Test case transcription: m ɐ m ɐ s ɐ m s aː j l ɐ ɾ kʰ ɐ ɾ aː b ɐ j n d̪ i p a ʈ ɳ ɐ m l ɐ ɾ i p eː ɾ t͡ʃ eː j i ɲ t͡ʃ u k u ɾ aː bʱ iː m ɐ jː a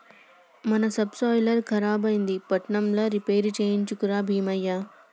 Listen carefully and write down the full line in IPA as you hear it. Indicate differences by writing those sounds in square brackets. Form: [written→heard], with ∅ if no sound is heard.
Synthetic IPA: m ɐ [m→n] ɐ s ɐ [m→b] s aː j l ɐ ɾ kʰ ɐ ɾ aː b ɐ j n d̪ i p [a→ɐ] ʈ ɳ ɐ m l ɐ ɾ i p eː ɾ t͡ʃ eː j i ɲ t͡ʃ u k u ɾ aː bʱ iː m ɐ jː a